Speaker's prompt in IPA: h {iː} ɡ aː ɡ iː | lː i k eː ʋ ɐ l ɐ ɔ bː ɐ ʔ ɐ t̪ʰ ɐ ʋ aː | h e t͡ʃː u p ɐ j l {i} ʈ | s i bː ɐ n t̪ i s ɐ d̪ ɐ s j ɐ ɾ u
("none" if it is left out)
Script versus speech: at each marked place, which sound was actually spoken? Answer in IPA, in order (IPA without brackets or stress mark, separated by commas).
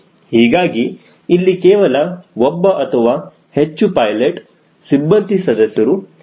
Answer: iː, e